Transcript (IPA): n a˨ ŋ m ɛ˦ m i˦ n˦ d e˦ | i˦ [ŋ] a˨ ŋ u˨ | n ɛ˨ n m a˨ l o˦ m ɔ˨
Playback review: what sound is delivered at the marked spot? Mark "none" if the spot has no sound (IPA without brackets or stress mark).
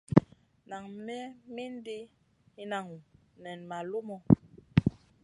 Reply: n